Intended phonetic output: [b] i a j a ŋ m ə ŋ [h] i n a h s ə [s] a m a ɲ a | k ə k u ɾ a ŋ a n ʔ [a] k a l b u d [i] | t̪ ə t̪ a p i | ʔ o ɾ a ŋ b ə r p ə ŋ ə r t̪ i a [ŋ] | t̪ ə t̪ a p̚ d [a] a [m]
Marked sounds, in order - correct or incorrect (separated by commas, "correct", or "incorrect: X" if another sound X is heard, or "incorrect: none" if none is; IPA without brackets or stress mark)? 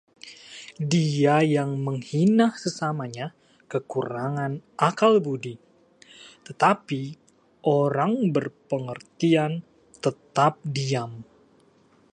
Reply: incorrect: d, correct, correct, correct, correct, incorrect: n, incorrect: i, correct